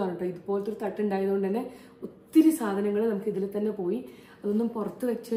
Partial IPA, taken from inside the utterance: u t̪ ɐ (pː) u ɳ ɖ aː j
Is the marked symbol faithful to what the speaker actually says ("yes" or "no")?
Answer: no